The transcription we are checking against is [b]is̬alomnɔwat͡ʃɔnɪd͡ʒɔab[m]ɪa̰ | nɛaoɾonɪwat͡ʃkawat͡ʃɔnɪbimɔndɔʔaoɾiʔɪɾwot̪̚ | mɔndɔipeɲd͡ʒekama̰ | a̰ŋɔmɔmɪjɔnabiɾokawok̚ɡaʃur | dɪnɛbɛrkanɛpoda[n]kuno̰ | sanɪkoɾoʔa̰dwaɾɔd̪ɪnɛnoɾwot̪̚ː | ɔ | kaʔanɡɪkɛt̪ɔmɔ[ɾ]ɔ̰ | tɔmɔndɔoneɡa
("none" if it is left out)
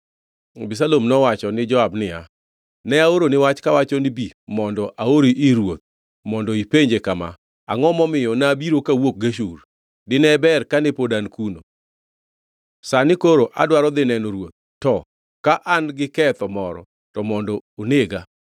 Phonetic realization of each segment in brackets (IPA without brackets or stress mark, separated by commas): b, n, n, ɾ